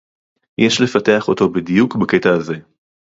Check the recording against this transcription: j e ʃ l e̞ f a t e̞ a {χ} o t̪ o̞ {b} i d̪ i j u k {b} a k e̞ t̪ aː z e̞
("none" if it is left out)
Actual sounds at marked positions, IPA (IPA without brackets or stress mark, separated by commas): χ, b, b